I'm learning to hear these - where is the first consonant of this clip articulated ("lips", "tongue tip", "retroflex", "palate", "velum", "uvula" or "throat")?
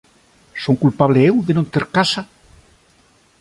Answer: tongue tip